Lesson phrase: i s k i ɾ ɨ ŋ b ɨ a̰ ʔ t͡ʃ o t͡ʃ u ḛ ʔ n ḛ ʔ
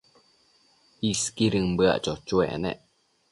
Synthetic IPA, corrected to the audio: i s k i ɾ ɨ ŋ b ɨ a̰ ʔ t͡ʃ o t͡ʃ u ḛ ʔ n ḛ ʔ